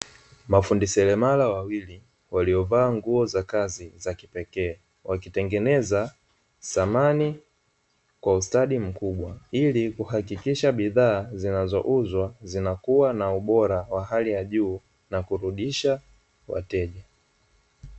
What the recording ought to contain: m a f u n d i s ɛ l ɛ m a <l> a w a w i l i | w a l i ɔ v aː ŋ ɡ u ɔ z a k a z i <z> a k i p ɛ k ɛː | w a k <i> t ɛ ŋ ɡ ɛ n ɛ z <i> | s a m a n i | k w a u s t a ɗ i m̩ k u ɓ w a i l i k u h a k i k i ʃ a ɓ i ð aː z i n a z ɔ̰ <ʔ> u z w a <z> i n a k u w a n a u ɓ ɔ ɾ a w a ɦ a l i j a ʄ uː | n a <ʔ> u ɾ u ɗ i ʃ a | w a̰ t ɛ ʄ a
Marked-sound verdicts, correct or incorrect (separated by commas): correct, correct, correct, incorrect, correct, correct, incorrect